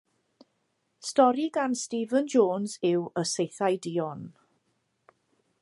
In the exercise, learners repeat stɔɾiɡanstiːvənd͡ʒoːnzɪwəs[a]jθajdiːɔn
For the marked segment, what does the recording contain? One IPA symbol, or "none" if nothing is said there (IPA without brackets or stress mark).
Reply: e